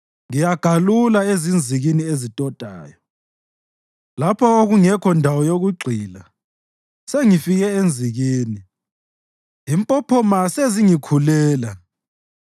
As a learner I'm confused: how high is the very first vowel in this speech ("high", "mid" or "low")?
high